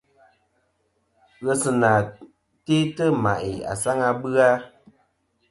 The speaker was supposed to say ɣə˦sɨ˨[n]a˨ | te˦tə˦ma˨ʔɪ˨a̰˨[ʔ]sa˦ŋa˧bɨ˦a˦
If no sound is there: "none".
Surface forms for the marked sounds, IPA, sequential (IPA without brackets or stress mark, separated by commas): n, none